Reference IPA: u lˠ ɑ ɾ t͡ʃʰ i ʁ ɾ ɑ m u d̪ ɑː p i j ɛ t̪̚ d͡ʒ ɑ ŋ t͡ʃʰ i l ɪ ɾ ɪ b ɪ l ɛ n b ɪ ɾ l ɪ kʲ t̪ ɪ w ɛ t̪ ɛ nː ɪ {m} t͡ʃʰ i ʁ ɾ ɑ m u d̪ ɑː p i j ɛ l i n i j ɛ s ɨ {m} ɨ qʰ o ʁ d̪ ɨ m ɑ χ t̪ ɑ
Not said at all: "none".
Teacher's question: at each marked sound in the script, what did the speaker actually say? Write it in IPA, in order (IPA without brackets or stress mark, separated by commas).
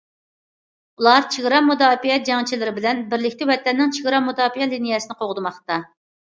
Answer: ŋ, n